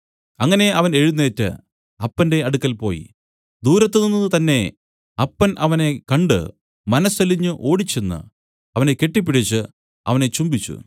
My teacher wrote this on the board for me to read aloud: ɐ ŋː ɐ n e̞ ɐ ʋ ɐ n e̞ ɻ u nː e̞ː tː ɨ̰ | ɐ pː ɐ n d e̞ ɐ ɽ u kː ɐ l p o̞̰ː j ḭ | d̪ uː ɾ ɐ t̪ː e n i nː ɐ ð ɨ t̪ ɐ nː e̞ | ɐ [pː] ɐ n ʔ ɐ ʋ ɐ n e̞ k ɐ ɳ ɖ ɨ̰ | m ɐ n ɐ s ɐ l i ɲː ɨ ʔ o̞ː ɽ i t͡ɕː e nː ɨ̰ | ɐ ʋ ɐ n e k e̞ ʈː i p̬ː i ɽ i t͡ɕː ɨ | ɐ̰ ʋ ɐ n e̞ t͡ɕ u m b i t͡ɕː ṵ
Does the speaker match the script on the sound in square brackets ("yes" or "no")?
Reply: yes